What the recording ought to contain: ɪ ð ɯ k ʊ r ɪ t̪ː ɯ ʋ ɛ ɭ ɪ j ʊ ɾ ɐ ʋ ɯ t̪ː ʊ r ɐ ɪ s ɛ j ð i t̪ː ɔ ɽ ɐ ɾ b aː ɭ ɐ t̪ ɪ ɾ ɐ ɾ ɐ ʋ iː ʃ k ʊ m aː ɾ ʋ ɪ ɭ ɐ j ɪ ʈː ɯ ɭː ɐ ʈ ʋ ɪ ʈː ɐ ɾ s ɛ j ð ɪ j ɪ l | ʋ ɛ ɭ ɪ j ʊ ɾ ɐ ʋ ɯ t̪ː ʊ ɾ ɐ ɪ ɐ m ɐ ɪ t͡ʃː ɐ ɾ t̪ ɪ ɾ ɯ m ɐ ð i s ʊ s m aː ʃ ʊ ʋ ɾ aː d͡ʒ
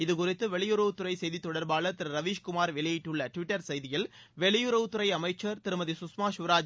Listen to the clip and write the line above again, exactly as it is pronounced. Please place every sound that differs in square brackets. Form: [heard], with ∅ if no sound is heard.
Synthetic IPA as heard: ɪ ð ɯ k ʊ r ɪ t̪ː ɯ ʋ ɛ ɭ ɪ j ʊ ɾ ɐ ʋ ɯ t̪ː ʊ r ɐ ɪ s ɛ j ð i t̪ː ɔ ɽ ɐ ɾ b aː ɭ ɐ t̪ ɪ ɾ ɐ ɾ ɐ ʋ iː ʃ k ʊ m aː ɾ ʋ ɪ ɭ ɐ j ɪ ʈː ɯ ɭː ɐ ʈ ʋ ɪ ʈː ɐ ɾ s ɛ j ð ɪ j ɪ l | ʋ ɛ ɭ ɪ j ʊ ɾ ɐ ʋ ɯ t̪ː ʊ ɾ ɐ ɪ ɐ m ɐ ɪ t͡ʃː ɐ ɾ t̪ ɪ ɾ ɯ m ɐ ð i s ʊ s m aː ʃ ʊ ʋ ɾ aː d͡ʒ

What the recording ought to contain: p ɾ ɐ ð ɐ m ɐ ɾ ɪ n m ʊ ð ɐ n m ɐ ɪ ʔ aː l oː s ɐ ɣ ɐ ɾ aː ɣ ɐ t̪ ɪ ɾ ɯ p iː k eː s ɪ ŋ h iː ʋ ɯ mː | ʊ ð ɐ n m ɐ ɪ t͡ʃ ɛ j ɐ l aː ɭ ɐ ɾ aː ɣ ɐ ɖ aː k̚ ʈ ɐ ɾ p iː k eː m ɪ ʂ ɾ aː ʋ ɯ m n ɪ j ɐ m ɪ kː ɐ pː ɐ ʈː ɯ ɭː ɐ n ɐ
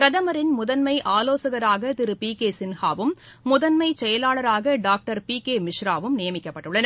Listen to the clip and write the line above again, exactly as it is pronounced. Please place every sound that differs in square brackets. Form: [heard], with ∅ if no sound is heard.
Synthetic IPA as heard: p ɾ ɐ ð ɐ m ɐ ɾ ɪ n m ʊ ð ɐ n m ɐ ɪ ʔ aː l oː s ɐ ɣ ɐ ɾ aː ɣ ɐ t̪ ɪ ɾ ɯ p iː k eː s ɪ [n] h [aː] ʋ ɯ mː | ʊ ð ɐ n m ɐ ɪ t͡ʃ ɛ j ɐ l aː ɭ ɐ ɾ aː ɣ ɐ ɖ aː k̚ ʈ ɐ ɾ p iː k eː m ɪ ʂ ɾ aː ʋ ɯ m n ɪ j ɐ m ɪ kː ɐ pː ɐ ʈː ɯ ɭː ɐ n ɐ

